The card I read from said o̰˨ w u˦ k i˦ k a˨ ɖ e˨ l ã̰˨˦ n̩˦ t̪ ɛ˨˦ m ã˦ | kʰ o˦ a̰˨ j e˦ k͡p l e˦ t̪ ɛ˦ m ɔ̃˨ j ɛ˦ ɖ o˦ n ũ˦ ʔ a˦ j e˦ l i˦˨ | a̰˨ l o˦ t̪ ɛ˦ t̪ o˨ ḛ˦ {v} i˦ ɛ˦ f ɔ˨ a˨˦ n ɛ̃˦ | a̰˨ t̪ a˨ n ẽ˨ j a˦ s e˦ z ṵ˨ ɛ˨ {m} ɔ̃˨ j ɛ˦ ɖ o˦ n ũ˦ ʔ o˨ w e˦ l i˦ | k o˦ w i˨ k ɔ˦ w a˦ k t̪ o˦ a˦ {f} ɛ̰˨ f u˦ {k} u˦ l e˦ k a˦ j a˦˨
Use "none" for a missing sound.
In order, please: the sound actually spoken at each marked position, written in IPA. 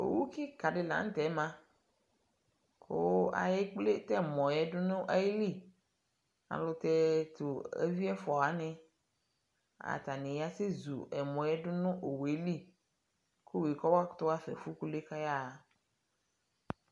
v, m, f, k

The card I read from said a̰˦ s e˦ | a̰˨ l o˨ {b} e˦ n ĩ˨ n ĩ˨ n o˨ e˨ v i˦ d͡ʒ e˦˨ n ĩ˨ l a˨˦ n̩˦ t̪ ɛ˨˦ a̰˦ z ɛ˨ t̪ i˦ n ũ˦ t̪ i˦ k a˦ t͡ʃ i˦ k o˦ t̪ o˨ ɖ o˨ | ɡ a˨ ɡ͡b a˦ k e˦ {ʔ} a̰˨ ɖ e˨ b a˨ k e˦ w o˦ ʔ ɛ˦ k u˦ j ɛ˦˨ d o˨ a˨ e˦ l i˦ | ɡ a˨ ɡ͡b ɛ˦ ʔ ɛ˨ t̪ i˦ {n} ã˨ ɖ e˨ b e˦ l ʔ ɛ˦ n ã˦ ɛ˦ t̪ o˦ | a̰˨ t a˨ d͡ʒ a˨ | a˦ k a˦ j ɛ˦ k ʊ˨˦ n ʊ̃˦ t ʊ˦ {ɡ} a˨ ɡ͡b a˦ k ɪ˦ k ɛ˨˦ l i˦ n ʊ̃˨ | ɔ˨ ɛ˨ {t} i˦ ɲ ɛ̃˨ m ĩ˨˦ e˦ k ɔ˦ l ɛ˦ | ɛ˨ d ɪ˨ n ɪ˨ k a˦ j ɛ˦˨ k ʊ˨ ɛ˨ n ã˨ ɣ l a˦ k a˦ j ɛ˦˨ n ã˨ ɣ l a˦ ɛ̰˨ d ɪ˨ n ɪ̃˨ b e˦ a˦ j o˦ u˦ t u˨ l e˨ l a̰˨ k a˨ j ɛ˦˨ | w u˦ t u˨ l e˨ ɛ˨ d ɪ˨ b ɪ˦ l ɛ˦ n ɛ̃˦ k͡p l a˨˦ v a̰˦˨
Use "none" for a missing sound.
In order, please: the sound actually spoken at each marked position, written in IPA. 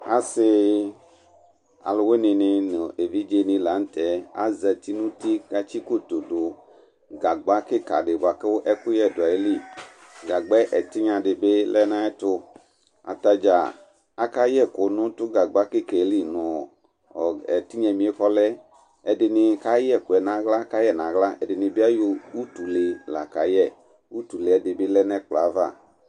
w, k, ɲ, ɡ, t

